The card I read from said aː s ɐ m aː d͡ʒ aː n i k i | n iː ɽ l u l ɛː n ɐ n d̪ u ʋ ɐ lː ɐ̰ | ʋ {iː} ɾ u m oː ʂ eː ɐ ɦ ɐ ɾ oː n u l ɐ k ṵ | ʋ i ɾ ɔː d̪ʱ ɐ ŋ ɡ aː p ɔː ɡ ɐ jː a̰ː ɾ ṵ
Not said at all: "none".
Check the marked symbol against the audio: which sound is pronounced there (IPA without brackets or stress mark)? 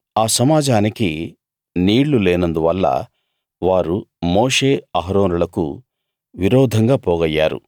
aː